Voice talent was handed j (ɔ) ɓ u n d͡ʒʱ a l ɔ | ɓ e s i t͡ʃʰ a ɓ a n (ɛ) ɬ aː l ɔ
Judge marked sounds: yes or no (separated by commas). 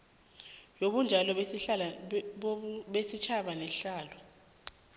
no, yes